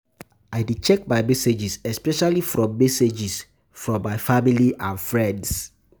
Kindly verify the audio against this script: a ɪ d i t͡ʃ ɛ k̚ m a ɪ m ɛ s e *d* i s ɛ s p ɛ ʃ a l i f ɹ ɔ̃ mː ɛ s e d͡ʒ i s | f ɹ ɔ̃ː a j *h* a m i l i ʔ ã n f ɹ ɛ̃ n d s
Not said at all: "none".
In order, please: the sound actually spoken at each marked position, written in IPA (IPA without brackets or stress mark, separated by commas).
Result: d͡ʒ, f